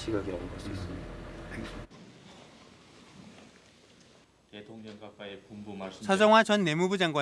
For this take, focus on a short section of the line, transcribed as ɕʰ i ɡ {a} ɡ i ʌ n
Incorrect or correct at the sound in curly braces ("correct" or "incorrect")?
correct